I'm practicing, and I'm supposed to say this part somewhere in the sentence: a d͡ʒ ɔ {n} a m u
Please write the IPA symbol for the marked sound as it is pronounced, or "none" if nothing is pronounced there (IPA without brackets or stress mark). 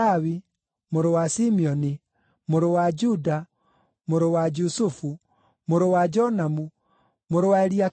n